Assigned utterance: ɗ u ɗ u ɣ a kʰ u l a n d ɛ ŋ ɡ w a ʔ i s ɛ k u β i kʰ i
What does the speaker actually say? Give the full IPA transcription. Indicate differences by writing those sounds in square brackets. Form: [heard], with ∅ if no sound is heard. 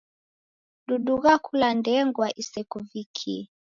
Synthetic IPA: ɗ u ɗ u ɣ a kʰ u l a n d ɛ ŋ ɡ w a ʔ i s ɛ k u [v] i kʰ i